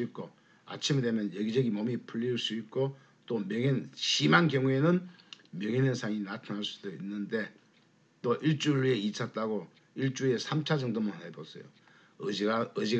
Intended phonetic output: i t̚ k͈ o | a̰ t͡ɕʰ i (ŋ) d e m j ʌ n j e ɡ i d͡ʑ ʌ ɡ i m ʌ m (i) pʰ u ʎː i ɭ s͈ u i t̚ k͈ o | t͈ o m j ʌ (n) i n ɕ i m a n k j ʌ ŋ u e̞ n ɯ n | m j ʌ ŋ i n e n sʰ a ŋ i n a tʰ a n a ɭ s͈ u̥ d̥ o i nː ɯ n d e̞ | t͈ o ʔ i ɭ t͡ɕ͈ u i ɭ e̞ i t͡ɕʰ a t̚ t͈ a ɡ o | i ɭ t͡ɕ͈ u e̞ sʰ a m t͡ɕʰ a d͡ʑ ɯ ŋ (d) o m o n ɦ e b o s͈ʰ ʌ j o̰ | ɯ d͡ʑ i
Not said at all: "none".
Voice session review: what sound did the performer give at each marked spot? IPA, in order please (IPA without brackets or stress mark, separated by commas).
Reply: m, i, ŋ, d